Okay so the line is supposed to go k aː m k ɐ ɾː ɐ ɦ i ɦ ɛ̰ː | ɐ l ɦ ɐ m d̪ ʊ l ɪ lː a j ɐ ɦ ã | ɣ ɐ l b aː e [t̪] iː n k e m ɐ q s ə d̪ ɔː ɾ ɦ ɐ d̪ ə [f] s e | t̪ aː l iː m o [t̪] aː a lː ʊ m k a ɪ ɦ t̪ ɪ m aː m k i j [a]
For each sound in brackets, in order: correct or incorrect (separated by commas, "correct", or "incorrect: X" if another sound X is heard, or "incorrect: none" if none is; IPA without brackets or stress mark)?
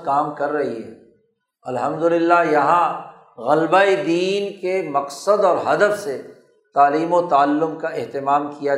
incorrect: d̪, correct, correct, correct